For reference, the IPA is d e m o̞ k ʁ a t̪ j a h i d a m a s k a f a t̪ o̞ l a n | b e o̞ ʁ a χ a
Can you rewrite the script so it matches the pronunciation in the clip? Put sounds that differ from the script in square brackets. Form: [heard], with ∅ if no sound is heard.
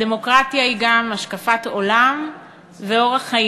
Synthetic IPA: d e m o̞ k ʁ a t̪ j a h i [ɡ] a m a [ʃ] k a f a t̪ o̞ l a [m] | [v] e o̞ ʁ a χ a